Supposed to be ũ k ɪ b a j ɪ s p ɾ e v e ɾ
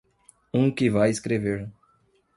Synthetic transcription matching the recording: ũ k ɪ v a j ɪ s k ɾ e v e ɾ